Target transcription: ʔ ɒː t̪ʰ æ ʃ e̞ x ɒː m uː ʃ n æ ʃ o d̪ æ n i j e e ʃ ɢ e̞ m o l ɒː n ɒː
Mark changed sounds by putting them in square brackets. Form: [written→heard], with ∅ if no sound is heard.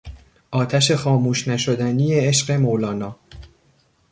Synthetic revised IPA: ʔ ɒː t̪ʰ æ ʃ e̞ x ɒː m uː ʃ n æ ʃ o d̪ æ n i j e e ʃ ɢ e̞ m o l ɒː n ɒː